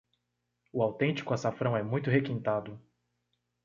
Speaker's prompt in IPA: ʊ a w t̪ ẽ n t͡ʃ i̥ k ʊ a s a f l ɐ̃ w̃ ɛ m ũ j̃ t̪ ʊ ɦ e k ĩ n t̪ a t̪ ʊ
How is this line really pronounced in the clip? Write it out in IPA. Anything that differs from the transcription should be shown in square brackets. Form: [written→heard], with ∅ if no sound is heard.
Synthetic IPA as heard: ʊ a w t̪ ẽ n t͡ʃ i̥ k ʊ a s a f [l→ɾ] ɐ̃ w̃ ɛ m ũ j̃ t̪ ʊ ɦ e k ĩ n t̪ a [t̪→d̪] ʊ